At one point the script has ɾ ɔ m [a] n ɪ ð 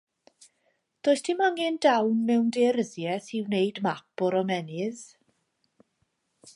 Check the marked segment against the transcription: incorrect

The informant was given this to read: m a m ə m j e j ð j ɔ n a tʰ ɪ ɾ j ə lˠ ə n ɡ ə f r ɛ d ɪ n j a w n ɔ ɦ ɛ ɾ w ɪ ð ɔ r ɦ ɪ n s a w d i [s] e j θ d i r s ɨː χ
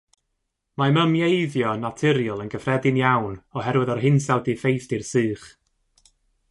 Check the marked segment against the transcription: incorrect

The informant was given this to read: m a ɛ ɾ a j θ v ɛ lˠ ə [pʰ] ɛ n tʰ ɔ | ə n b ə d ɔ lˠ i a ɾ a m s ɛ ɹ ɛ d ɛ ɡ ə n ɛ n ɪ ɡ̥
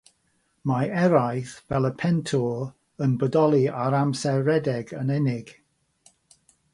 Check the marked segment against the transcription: correct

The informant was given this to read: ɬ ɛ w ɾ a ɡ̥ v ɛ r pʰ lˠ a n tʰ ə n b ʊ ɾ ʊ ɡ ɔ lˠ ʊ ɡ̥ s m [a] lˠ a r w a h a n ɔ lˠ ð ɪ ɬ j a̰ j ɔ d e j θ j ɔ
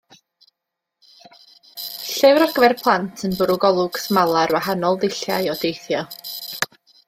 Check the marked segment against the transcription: correct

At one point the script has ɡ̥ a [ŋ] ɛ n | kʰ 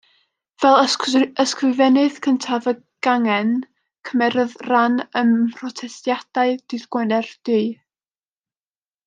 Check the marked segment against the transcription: correct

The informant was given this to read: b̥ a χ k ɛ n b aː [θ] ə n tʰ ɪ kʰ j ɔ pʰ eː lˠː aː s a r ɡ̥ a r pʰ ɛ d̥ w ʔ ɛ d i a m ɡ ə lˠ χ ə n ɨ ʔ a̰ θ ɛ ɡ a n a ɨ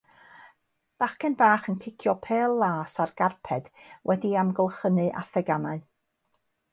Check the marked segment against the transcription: incorrect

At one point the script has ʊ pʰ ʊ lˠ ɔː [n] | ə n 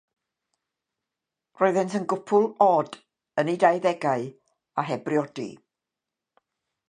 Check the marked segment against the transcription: incorrect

